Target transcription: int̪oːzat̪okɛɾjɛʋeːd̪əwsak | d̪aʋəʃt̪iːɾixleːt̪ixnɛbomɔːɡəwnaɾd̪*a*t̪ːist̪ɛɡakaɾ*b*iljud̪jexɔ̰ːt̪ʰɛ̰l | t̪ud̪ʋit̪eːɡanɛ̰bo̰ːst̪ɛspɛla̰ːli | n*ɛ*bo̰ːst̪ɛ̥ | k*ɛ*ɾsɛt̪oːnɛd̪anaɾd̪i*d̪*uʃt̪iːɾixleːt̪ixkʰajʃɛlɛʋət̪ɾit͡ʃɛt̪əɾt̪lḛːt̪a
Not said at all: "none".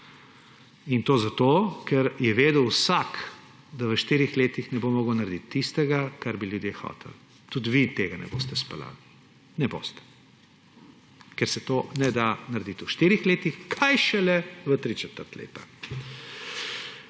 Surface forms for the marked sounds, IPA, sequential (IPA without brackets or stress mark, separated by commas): i, b, ɛ, ɛ, t̪